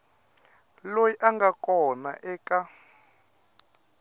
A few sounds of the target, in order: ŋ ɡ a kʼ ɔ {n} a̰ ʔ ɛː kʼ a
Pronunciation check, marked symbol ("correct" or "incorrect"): correct